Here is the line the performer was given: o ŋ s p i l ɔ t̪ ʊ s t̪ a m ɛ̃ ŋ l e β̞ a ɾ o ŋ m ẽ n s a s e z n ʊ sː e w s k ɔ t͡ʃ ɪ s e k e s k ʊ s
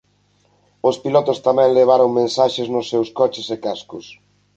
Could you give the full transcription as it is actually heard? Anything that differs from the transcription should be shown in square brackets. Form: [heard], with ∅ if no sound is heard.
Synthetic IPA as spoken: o [∅] s p i l ɔ t̪ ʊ s t̪ a m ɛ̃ ŋ l e β̞ a ɾ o ŋ m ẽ n s a [ʃ] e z n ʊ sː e w s k ɔ t͡ʃ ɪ s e k [a] s k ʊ s